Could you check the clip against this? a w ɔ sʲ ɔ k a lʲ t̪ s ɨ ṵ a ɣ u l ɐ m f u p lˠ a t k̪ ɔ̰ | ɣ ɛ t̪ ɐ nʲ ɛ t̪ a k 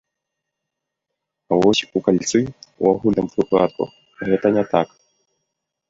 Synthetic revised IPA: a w ɔ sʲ u k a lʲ t̪ s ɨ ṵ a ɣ u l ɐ m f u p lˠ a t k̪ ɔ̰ | ɣ ɛ t̪ ɐ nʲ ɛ t̪ a k